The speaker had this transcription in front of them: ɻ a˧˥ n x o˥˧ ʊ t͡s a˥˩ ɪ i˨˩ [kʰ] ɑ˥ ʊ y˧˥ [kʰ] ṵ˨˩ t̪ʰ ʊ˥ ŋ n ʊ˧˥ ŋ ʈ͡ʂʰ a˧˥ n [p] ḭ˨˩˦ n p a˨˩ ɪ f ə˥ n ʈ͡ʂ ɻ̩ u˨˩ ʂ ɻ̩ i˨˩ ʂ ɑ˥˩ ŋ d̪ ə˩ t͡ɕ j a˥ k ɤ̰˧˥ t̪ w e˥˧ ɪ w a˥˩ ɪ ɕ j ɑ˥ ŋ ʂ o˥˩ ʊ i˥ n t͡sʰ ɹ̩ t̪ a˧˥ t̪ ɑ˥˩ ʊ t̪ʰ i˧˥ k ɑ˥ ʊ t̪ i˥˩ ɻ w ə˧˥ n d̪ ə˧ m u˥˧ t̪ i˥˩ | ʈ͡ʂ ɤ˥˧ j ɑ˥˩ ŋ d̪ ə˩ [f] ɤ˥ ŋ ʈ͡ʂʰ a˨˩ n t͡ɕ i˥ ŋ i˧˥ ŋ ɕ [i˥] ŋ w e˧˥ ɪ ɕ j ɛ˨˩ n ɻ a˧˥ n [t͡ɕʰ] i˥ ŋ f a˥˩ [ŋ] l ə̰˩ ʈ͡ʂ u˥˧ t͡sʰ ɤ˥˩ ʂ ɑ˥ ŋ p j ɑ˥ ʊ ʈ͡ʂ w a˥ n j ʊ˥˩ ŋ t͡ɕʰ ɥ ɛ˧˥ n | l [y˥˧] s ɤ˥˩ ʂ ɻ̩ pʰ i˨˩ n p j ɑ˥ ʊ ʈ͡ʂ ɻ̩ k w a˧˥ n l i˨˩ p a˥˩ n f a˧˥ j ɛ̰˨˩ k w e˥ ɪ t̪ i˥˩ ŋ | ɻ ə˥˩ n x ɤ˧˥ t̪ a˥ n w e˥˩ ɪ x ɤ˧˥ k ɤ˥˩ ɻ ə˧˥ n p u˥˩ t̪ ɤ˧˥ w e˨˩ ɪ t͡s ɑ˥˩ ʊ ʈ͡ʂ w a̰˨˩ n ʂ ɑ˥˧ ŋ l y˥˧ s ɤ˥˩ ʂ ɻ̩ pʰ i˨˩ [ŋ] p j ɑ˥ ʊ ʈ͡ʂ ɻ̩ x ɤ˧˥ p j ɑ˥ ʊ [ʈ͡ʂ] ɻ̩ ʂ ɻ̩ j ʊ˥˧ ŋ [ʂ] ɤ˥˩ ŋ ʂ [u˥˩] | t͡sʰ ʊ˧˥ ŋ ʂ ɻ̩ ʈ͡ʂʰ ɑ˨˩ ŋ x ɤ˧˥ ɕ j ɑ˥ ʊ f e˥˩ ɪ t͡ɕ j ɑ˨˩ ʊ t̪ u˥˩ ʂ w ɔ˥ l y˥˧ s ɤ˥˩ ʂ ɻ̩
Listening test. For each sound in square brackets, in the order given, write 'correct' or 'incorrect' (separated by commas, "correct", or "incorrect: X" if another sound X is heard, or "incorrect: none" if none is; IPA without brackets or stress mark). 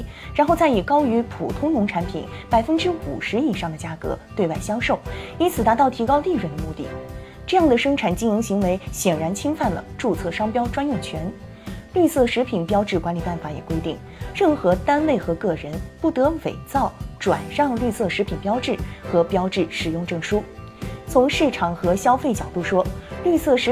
incorrect: k, incorrect: pʰ, incorrect: pʰ, incorrect: ʂ, incorrect: i˧˥, correct, incorrect: n, correct, incorrect: n, correct, incorrect: ʈ͡ʂ, incorrect: u˥